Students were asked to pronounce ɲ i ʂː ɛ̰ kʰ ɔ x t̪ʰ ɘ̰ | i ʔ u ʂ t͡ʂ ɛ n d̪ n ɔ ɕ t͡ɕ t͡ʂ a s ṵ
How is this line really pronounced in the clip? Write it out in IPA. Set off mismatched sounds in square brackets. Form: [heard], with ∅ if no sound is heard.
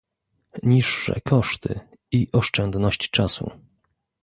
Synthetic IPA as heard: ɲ i ʂː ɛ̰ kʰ ɔ [ʂ] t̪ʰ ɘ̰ | i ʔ [ɔ] ʂ t͡ʂ ɛ n d̪ n ɔ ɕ t͡ɕ t͡ʂ a s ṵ